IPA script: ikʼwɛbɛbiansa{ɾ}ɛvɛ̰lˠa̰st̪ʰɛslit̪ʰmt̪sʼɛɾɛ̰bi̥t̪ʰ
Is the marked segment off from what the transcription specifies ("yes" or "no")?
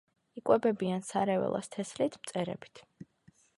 no